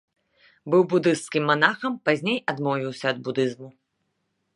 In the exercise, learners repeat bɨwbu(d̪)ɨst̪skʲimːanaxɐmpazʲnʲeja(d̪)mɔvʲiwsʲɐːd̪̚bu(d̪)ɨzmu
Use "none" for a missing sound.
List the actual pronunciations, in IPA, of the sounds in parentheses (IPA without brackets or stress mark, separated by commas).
d̪, d̪, d̪